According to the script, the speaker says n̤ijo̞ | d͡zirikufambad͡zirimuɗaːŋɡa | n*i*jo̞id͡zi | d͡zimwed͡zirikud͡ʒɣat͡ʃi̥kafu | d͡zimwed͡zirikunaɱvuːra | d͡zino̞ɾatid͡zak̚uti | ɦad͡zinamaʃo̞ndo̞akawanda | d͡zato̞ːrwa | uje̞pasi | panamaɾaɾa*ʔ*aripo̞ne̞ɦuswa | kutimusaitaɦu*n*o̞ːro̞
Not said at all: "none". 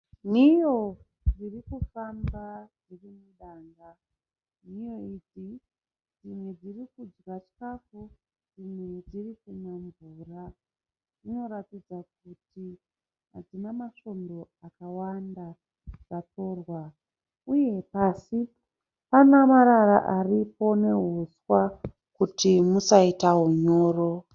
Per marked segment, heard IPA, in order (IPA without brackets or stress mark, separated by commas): i, ʔ, ɲ